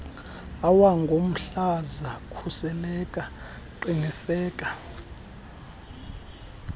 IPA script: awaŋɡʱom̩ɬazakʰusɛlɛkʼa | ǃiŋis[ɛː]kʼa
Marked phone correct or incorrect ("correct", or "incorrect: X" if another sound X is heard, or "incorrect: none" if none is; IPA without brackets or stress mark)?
correct